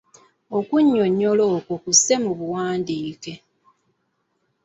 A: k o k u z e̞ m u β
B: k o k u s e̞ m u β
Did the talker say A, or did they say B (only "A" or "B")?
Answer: B